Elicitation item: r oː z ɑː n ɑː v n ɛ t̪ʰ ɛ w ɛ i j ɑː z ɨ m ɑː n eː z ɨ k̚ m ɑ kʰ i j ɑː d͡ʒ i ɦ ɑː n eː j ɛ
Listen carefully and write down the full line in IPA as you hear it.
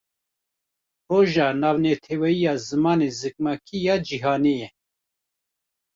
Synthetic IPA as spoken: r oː ʒ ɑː n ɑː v n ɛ t̪ʰ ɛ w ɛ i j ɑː z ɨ m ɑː n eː z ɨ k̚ m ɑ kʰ i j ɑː d͡ʒ i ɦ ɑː n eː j ɛ